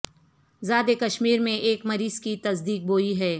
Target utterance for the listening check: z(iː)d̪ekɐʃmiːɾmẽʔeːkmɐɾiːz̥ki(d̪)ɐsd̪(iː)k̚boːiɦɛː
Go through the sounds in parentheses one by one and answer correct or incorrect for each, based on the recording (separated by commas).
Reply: incorrect, incorrect, correct